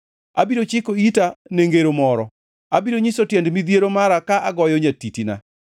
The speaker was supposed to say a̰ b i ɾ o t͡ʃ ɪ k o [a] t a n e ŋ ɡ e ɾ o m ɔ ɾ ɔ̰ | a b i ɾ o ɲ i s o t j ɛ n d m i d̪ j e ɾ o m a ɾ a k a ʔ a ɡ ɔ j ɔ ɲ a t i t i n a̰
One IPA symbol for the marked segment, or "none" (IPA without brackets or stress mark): i